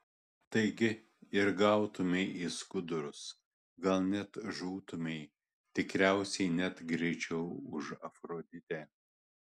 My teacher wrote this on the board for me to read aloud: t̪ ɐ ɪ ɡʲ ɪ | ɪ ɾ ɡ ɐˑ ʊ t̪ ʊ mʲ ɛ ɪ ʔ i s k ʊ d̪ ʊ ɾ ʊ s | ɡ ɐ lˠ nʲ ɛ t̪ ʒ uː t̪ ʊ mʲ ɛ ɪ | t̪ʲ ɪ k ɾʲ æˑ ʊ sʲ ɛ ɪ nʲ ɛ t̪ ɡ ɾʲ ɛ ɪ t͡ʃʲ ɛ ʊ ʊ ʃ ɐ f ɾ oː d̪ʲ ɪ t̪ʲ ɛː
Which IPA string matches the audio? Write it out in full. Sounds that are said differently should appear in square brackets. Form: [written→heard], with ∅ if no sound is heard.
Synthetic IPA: t̪ ɐ ɪ ɡʲ ɪ | ɪ ɾ ɡ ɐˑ ʊ t̪ ʊ mʲ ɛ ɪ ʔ i s k ʊ d̪ ʊ ɾ ʊ s | ɡ ɐ lˠ nʲ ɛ t̪ ʒ uː t̪ ʊ mʲ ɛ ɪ | t̪ʲ ɪ k ɾʲ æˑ ʊ sʲ ɛ ɪ nʲ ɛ t̪ ɡ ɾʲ ɛ ɪ t͡ʃʲ ɛ ʊ ʊ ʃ ɐ f ɾ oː d̪ʲ ɪ t̪ʲ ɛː